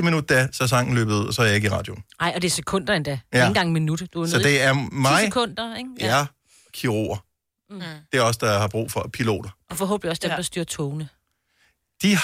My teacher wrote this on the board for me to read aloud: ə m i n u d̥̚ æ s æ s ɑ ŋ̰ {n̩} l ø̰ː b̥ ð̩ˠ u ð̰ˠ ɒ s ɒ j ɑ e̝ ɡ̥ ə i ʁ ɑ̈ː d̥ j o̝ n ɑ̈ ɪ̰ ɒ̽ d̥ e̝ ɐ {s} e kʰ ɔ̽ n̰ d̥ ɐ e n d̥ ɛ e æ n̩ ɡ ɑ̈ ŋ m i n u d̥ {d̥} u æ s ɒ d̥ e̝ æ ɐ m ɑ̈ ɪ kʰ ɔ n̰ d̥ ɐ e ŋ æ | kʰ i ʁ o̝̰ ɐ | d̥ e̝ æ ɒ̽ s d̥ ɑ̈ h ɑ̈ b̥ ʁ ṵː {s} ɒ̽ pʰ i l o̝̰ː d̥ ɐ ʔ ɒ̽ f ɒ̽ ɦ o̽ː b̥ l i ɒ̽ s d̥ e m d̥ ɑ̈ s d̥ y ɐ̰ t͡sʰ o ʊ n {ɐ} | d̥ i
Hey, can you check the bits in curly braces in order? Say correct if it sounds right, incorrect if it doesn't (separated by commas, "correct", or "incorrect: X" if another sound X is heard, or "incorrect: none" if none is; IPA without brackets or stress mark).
correct, correct, correct, incorrect: f, incorrect: ə